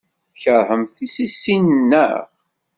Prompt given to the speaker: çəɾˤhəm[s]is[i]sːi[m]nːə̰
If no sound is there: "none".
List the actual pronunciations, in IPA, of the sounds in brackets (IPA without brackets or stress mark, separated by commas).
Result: θ, i, n